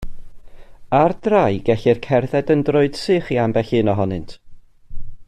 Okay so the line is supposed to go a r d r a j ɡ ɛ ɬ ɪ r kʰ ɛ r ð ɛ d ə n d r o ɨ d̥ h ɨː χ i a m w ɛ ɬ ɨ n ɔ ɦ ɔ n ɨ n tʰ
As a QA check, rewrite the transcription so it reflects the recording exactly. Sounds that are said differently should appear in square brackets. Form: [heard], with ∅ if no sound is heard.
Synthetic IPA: a r d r a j ɡ ɛ ɬ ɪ r kʰ ɛ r ð ɛ d ə n d r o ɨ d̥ [s] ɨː χ i a m [b] ɛ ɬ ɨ n ɔ ɦ ɔ n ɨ n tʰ